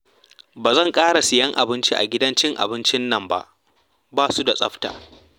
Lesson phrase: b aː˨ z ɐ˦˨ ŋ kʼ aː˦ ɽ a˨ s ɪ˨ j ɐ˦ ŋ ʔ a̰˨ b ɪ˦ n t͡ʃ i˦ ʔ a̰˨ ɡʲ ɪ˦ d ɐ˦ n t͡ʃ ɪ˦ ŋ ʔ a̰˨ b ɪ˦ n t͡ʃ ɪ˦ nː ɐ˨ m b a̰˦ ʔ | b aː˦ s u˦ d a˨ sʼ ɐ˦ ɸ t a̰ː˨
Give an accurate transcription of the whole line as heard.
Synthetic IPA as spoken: b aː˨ z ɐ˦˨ ŋ kʼ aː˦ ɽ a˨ s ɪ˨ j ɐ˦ ŋ ʔ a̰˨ b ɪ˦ n t͡ʃ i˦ ʔ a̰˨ ɡʲ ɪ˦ d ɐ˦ n t͡ʃ ɪ˦ ŋ ʔ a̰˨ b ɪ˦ n t͡ʃ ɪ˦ nː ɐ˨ m b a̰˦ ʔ | b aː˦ s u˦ d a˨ sʼ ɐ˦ ɸ t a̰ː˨